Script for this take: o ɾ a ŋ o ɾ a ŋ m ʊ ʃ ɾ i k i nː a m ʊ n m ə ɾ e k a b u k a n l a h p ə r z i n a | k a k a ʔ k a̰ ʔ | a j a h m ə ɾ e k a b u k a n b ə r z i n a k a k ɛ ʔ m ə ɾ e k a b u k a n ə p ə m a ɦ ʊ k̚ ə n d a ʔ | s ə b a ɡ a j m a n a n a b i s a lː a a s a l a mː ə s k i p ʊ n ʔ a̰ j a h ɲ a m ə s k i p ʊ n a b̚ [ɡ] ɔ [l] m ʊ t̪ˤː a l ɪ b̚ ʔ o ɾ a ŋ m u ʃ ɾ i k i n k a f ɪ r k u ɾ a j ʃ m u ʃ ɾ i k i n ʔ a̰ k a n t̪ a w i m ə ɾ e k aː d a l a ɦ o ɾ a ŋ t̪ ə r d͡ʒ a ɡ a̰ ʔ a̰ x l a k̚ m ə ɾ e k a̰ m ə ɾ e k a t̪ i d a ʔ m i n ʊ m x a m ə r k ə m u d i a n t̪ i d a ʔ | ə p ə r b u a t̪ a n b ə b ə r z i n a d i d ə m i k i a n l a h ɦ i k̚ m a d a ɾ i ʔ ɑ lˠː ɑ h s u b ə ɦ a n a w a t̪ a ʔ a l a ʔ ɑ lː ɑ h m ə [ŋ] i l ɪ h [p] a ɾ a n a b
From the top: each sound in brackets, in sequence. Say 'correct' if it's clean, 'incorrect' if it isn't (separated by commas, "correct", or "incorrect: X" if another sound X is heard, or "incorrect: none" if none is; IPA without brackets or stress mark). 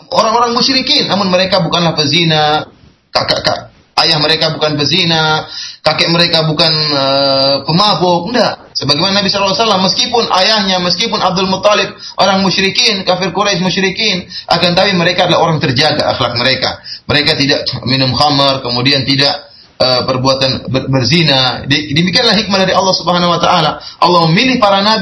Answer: incorrect: d, correct, incorrect: m, correct